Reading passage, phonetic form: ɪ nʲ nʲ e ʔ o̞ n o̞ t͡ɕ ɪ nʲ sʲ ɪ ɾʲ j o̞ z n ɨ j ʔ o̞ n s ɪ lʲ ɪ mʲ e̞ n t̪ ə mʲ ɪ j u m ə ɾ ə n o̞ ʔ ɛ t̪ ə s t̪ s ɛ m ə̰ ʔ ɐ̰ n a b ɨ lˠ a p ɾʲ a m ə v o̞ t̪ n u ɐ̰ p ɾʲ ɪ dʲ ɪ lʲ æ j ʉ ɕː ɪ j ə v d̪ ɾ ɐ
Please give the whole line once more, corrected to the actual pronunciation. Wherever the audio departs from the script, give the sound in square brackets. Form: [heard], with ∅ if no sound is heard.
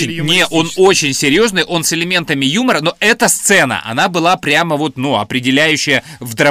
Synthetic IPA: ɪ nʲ nʲ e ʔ o̞ n o̞ t͡ɕ ɪ nʲ sʲ ɪ ɾʲ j o̞ z n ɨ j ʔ o̞ n s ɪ lʲ ɪ mʲ e̞ n t̪ ə mʲ ɪ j u m ə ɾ ə n o̞ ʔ ɛ t̪ ə s t̪ s ɛ [n] ə̰ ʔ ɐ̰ n a b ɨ lˠ a p ɾʲ a m ə v o̞ t̪ n u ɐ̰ p ɾʲ ɪ dʲ ɪ lʲ æ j ʉ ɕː ɪ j ə v d̪ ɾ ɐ